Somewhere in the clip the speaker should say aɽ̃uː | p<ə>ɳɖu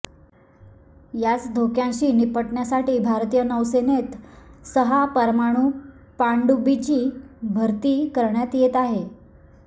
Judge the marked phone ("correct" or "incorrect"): incorrect